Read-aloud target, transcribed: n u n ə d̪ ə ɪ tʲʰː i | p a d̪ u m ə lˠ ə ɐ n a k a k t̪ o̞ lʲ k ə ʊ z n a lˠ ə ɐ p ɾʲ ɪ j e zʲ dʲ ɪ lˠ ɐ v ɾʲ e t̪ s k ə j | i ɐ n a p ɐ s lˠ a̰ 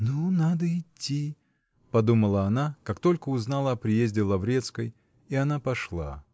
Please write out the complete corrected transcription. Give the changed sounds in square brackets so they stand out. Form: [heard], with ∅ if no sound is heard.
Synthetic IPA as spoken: n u n [a] d̪ ə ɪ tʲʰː i | p [ɐ] d̪ u m ə lˠ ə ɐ n a k a k t̪ o̞ lʲ k ə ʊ z n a lˠ ə ɐ p ɾʲ ɪ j e zʲ dʲ ɪ lˠ ɐ v ɾʲ e t̪ s k ə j | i ɐ n a p ɐ [ʂ] lˠ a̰